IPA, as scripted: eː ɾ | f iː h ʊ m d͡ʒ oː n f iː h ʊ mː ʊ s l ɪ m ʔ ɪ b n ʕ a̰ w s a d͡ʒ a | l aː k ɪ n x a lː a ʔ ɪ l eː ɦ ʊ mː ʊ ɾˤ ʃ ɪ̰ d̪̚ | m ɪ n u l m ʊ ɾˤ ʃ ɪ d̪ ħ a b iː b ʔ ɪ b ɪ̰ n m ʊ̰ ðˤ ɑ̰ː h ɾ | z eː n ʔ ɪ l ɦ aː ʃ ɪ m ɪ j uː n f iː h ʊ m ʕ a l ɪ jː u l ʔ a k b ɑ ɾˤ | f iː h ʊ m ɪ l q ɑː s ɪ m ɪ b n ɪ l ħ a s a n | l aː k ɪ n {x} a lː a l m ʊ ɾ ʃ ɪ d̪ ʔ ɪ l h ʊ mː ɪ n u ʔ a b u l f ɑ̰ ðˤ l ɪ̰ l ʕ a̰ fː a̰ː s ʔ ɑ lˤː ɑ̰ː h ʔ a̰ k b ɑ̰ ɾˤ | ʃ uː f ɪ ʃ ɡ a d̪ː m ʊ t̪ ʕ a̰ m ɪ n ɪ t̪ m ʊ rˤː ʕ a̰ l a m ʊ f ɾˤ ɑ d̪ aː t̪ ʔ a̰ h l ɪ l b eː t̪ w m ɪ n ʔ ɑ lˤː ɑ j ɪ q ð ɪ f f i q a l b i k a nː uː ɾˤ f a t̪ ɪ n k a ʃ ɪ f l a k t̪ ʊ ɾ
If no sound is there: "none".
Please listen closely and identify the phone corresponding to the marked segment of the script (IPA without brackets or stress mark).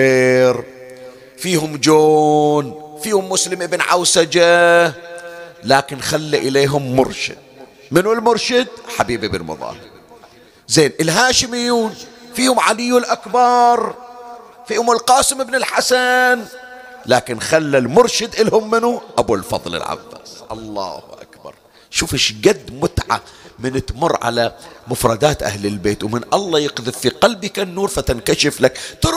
x